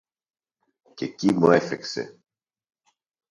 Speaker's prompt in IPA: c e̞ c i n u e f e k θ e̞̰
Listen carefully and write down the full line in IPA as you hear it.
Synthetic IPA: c e̞ c i m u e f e k s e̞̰